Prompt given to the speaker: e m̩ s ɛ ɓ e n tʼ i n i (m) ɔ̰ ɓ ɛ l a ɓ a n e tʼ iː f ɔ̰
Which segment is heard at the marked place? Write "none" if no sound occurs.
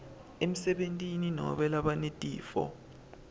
n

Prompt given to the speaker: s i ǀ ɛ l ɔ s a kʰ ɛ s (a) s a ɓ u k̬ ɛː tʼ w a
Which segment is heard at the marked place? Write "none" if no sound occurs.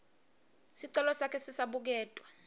i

